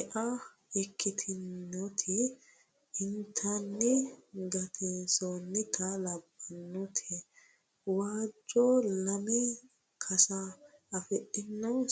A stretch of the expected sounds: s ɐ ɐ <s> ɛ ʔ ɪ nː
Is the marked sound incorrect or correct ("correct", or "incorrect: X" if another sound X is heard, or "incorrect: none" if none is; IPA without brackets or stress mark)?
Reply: incorrect: f